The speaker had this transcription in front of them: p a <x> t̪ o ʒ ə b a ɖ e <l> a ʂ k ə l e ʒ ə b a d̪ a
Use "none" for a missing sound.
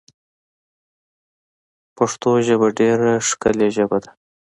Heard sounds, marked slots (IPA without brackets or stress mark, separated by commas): ʂ, ɾ